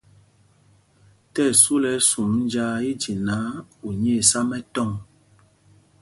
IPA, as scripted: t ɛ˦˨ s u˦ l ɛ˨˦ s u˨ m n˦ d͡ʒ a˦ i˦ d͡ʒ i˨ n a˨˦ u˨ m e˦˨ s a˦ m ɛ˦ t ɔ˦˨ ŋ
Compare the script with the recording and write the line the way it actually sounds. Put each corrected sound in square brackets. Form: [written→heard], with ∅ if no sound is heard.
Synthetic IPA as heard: t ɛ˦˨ s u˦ l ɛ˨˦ s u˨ m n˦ d͡ʒ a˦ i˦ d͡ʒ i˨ n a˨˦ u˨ [m→ɲ] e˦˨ s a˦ m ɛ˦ t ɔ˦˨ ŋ